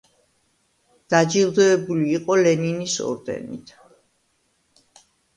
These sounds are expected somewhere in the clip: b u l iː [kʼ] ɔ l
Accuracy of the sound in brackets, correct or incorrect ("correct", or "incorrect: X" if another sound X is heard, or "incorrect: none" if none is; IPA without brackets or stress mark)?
incorrect: qʼ